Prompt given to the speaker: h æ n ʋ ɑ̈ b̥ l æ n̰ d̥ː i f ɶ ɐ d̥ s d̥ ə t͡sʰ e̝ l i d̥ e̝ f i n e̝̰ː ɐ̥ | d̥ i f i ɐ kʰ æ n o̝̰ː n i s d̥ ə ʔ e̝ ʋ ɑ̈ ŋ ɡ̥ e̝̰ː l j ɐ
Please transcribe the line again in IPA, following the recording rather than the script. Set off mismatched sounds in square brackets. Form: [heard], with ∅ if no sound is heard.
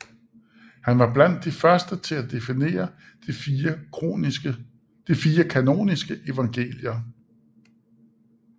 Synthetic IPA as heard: h æ n ʋ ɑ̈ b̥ l æ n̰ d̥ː i f ɶ ɐ [∅] s d̥ ə t͡sʰ e̝ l [æ] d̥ e̝ f i n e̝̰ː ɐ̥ | d̥ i f [iː] ɐ kʰ æ n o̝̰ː n i s [ɡ̥] ə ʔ e̝ ʋ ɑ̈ ŋ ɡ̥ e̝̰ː l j ɐ